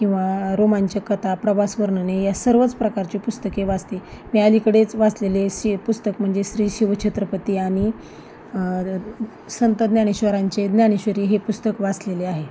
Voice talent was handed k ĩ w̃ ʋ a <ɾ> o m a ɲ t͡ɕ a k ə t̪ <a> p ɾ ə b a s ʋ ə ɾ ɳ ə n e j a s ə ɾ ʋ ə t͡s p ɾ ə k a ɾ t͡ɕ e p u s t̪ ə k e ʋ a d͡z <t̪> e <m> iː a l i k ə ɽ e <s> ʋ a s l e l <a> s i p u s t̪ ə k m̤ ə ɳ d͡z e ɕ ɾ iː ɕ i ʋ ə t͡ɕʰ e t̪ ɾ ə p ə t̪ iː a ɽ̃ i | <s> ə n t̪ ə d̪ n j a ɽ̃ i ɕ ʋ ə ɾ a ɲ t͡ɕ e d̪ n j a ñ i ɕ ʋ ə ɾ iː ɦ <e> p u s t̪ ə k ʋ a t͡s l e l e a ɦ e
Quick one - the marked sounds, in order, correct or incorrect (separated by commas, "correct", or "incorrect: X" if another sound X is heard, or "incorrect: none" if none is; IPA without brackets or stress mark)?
correct, correct, correct, correct, incorrect: t͡s, incorrect: e, correct, correct